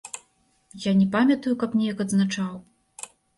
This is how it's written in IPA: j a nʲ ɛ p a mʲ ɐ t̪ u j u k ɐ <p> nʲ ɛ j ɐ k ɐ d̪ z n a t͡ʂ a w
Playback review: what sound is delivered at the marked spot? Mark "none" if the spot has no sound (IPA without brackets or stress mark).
p